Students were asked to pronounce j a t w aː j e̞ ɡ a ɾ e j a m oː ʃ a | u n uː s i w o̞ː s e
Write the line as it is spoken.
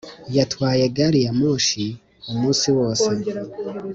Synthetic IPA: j a t w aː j e̞ ɡ a ɾ i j a m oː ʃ i | u m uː s i w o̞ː s e